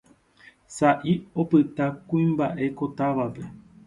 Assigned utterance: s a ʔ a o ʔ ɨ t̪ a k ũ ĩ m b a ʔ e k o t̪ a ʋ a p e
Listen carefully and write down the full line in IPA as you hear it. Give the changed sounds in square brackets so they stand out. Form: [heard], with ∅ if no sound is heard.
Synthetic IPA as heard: s a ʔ [i] o [p] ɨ t̪ a k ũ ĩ m b a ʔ e k o t̪ a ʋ a p e